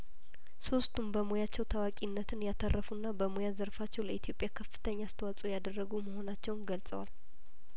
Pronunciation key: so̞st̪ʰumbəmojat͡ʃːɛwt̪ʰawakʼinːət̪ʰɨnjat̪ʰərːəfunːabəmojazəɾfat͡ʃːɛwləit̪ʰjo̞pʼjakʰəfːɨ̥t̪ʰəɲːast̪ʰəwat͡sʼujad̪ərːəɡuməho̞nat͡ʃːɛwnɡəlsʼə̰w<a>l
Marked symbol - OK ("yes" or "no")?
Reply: yes